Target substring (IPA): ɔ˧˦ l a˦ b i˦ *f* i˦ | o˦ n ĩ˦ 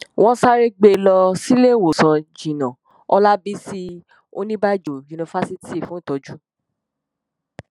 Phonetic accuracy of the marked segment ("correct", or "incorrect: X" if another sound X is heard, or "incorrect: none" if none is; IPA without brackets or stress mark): incorrect: s